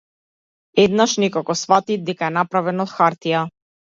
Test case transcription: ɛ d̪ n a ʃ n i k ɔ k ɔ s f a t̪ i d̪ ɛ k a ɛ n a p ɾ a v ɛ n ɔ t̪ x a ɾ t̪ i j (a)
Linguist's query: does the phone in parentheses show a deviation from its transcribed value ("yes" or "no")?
no